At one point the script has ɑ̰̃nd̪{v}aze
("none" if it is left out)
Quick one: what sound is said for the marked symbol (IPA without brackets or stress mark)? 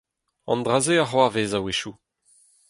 ʁ